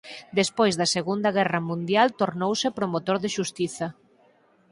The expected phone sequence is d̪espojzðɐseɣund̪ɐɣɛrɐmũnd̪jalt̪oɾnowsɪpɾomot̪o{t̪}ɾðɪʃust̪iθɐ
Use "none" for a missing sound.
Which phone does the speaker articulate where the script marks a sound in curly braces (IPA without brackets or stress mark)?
none